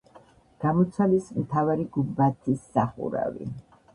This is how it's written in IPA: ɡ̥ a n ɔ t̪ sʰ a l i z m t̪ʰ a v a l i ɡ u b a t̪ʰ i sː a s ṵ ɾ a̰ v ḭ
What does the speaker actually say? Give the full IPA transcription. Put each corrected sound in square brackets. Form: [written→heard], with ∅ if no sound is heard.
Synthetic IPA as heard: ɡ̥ a [n→m] ɔ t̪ sʰ a l i [z→s] m t̪ʰ a v a [l→ɾ] i ɡ u b a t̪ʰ i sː a [s→χ] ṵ ɾ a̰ v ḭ